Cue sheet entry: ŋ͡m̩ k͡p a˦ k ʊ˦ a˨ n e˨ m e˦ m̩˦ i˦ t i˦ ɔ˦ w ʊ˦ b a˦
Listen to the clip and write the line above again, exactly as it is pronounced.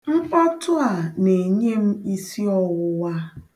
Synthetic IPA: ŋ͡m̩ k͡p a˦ t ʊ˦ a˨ n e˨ ɲ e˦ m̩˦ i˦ s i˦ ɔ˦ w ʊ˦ w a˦